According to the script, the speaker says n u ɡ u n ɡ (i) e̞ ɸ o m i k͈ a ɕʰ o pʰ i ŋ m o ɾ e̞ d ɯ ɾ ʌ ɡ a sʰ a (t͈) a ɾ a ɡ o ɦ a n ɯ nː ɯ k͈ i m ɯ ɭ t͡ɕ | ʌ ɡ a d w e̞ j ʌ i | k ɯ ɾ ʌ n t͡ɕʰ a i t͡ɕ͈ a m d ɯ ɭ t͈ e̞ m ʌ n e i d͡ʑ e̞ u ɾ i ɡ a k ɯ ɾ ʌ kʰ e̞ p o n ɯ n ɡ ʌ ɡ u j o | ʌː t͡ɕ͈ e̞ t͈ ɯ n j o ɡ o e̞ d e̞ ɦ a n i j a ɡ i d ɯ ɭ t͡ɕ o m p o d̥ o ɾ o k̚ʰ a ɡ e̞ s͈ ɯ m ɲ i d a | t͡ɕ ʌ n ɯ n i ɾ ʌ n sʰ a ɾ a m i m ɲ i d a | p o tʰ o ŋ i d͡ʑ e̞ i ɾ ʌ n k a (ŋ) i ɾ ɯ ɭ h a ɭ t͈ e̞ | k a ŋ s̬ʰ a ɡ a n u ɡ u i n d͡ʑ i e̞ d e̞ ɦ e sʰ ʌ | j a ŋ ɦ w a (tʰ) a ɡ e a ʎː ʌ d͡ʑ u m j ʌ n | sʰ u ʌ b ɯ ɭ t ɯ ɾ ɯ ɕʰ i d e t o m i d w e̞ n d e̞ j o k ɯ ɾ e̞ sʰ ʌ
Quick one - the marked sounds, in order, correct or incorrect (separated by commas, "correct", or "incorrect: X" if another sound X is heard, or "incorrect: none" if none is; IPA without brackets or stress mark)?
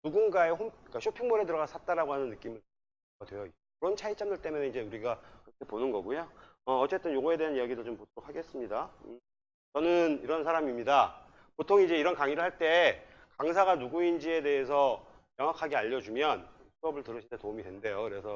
incorrect: a, correct, correct, incorrect: kʰ